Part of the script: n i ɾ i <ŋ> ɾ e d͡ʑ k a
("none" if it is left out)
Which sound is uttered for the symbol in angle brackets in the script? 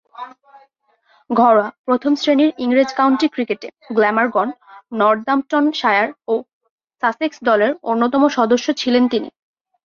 ŋ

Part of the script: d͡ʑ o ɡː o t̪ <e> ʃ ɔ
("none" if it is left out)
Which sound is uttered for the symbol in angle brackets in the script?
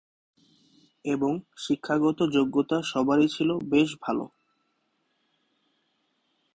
a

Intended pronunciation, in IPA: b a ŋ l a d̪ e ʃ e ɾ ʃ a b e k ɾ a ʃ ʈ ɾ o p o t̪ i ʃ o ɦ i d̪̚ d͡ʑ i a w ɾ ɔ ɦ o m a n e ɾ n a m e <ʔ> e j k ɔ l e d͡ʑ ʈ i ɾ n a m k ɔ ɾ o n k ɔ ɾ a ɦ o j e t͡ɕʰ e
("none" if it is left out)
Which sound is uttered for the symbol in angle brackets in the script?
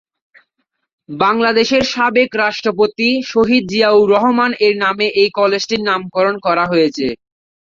ʔ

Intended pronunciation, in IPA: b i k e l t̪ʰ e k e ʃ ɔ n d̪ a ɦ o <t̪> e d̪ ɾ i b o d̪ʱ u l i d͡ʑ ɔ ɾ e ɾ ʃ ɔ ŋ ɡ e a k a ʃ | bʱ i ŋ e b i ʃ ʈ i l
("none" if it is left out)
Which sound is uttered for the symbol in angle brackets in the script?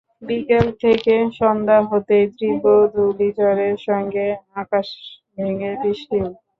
t̪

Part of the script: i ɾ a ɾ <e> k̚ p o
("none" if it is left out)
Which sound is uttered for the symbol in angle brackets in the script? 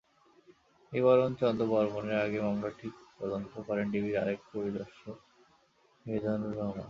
e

